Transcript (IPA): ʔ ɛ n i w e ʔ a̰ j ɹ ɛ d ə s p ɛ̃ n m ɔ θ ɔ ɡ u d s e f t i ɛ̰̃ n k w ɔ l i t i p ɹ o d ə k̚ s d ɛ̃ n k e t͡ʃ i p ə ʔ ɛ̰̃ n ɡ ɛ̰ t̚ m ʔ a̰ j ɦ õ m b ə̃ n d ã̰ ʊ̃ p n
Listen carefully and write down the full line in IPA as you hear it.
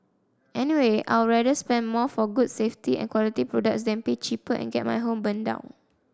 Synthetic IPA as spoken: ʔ ɛ n i w e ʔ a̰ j ɹ ɛ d ə s p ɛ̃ n m ɔ f ɔ ɡ u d s e f t i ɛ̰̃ n k w ɔ l i t i p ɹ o d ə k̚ s d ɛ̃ n p e t͡ʃ i p ə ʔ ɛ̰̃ n ɡ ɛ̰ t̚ m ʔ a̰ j ɦ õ m b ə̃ n d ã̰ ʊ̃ n